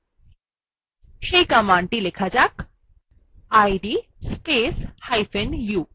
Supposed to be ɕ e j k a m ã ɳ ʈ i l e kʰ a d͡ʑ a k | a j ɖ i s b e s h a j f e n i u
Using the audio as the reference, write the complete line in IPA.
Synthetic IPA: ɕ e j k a m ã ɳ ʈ i l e kʰ a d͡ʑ a k | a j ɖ i s p e s h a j f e n j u